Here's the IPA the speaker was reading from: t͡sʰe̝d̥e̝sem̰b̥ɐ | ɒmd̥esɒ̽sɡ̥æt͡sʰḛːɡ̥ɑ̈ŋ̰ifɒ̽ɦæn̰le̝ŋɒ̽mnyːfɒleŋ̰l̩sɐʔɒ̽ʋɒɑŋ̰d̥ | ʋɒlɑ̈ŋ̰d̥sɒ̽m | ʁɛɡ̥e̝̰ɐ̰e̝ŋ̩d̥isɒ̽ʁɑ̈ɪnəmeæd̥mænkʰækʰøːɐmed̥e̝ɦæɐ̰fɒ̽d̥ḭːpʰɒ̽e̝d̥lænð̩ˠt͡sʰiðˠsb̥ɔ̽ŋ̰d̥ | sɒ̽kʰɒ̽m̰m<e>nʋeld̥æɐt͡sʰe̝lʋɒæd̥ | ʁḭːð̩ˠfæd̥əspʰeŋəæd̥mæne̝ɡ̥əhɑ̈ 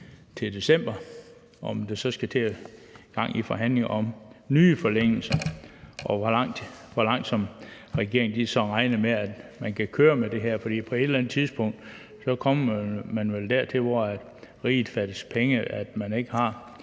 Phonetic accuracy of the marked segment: incorrect: æ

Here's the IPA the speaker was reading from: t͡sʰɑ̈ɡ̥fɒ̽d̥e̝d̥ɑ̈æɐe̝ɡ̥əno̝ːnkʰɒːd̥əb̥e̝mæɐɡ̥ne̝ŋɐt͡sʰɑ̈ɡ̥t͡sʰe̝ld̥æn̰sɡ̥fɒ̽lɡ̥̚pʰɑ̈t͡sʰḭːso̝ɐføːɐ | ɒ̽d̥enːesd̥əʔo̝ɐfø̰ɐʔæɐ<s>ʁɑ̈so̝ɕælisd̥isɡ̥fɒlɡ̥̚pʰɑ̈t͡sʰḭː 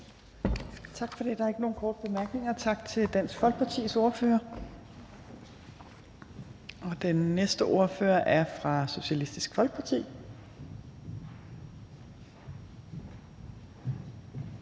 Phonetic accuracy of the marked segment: incorrect: f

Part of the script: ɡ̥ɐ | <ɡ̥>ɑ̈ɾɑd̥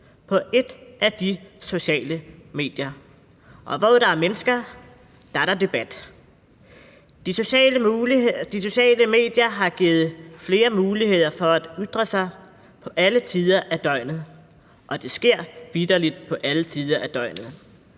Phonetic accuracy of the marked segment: incorrect: d̥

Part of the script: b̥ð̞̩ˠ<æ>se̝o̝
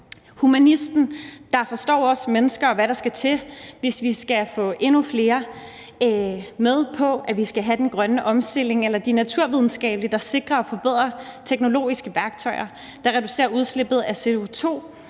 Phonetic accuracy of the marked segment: correct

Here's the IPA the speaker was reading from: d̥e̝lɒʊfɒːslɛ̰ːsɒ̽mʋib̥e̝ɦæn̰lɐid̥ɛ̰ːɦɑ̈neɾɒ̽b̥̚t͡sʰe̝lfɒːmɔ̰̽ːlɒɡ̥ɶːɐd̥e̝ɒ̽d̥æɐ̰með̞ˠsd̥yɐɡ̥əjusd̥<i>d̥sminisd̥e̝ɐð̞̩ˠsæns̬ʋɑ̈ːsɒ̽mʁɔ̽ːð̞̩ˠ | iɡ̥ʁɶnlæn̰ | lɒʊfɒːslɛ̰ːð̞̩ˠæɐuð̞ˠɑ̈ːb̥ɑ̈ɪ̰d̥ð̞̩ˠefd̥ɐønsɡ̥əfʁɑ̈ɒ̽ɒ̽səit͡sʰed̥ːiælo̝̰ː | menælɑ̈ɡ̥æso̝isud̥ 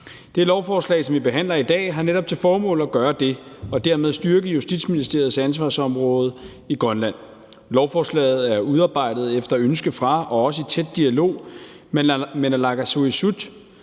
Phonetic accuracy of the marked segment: correct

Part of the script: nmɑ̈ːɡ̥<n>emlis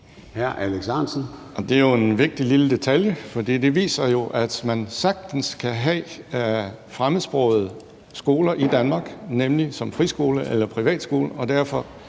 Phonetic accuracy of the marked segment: correct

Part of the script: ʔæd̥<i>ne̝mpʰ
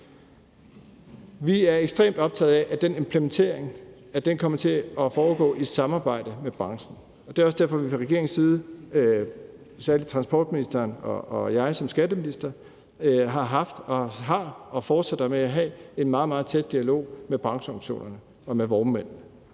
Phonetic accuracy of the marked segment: incorrect: e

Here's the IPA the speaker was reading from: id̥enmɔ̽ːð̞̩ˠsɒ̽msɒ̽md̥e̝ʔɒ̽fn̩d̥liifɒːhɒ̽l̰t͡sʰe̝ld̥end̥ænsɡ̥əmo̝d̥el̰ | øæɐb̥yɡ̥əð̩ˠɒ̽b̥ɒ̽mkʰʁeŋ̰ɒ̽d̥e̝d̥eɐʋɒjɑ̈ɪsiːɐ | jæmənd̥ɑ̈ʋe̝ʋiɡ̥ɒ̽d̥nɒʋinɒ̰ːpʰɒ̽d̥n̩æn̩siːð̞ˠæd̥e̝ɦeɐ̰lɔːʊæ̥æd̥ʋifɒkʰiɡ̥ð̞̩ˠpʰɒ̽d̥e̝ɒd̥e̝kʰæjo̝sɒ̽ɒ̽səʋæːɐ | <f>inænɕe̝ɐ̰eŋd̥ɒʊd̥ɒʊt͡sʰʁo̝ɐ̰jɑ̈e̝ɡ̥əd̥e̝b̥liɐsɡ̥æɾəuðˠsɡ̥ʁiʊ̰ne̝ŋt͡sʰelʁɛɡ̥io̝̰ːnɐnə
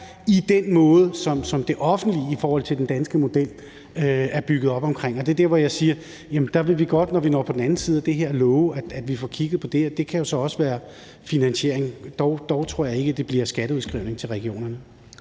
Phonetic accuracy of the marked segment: correct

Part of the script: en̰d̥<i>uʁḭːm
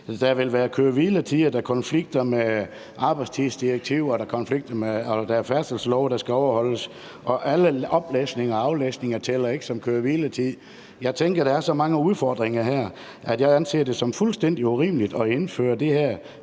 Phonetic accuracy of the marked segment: correct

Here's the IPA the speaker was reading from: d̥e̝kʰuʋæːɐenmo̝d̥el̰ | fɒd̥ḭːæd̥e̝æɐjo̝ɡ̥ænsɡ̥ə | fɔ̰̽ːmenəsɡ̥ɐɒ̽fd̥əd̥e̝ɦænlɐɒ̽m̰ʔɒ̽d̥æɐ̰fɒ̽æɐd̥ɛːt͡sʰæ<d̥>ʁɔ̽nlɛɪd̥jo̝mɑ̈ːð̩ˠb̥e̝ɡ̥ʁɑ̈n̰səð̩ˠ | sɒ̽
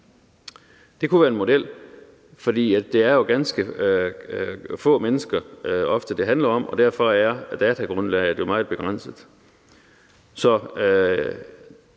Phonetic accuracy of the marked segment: incorrect: ɡ̥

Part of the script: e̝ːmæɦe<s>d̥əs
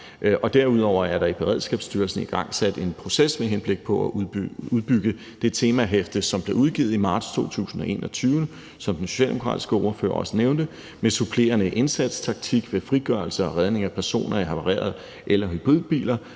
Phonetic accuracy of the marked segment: incorrect: f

